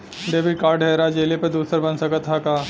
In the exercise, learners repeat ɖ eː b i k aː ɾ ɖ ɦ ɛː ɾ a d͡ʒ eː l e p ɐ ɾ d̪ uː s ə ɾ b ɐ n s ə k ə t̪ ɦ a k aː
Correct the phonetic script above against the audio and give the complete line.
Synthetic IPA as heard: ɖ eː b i k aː ɾ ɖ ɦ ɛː ɾ a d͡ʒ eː l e p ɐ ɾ d̪ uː s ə ɾ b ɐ n s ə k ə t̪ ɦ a k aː

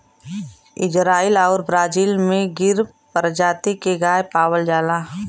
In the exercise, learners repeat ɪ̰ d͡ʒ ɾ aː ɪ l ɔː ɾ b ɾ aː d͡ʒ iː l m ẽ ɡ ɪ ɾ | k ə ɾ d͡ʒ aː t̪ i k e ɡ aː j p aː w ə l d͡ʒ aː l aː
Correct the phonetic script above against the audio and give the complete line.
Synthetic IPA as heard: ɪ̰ d͡ʒ ɾ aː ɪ l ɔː ɾ b ɾ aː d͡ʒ iː l m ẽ ɡ ɪ ɾ | p ə ɾ d͡ʒ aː t̪ i k e ɡ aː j p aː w ə l d͡ʒ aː l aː

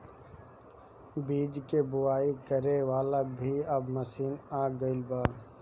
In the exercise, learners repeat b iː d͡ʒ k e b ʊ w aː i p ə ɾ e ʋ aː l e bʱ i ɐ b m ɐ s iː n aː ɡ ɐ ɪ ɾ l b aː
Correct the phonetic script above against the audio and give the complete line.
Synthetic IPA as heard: b iː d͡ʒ k e b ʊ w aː i k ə ɾ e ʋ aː l a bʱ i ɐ b m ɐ s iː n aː ɡ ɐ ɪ l b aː

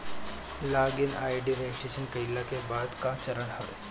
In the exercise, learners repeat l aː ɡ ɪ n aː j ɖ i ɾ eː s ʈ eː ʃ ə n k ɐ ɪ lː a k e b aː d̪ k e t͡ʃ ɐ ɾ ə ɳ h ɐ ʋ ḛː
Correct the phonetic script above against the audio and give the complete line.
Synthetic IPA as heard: l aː ɡ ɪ n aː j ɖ i ɾ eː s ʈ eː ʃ ə n k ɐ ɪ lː a k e b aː d̪ k a t͡ʃ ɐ ɾ ə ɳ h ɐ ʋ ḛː

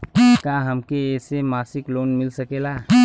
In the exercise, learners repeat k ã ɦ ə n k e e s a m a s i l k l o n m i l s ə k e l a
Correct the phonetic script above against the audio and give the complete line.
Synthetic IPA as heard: k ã ɦ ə m k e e s e m a s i k l o n m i l s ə k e l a

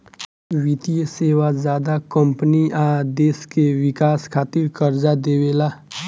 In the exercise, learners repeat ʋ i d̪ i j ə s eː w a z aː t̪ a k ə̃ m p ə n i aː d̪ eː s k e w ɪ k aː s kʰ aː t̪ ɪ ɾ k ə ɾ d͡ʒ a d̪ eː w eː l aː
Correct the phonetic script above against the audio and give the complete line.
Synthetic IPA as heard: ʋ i t̪ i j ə s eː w a z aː d̪ a k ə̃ m p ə n i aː d̪ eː s k e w ɪ k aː s kʰ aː t̪ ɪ ɾ k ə ɾ d͡ʒ a d̪ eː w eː l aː

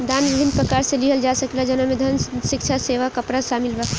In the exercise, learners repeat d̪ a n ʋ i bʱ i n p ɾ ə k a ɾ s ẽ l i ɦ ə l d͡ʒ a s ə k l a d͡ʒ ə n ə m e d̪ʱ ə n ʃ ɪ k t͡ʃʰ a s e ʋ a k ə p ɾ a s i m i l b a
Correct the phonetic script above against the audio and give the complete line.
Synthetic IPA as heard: d̪ a n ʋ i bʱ i n p ɾ ə k a ɾ s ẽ l i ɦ ə l d͡ʒ a s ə k l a d͡ʒ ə n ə m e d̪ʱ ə n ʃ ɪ k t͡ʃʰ a s e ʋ a k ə p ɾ a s a m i l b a

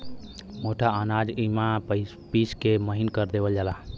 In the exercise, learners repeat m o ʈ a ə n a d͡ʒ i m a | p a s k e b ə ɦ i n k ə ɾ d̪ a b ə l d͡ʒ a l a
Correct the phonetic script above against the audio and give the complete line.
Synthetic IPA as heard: m o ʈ a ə n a d͡ʒ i m a | p i s k e m ə ɦ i n k ə ɾ d̪ e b ə l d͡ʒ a l a

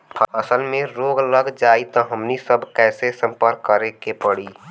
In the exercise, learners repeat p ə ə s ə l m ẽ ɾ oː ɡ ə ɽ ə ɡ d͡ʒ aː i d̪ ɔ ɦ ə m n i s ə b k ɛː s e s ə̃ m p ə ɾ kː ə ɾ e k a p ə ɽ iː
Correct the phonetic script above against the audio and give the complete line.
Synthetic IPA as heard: pʰ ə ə s ə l m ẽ ɾ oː ɡ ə l ə ɡ d͡ʒ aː i t̪ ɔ ɦ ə m n i s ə b k ɛː s e s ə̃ m p ə ɾ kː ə ɾ e k e p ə ɽ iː

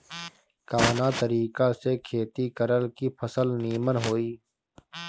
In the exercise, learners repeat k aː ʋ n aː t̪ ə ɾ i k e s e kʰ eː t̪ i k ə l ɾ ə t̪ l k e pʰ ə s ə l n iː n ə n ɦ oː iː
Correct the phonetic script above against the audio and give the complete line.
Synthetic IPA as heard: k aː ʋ n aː t̪ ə ɾ iː k a s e kʰ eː t̪ i k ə ɾ ə l k i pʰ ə s ə l n iː m ə n ɦ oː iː

